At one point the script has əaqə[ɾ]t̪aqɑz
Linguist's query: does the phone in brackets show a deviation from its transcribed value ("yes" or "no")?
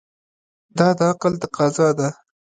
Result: yes